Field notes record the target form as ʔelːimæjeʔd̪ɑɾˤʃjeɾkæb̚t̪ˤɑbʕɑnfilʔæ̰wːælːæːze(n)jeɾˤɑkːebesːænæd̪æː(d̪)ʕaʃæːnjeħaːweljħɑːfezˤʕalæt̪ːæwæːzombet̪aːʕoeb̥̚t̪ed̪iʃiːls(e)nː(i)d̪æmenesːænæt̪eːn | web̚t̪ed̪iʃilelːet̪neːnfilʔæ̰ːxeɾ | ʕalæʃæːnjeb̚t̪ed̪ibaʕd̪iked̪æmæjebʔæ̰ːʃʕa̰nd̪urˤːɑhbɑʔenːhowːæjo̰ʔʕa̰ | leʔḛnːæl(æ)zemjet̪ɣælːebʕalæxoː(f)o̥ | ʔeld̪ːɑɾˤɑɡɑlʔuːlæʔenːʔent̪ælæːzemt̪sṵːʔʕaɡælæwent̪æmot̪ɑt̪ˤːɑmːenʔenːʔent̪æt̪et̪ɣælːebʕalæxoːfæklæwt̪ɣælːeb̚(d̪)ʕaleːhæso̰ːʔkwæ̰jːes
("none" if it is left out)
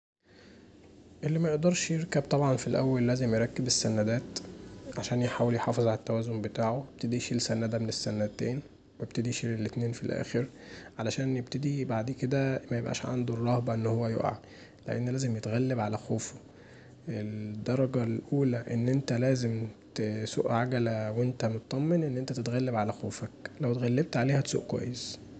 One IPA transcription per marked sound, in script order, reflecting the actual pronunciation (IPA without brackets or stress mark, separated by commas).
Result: m, t̪, æ, æ, æː, f, t̪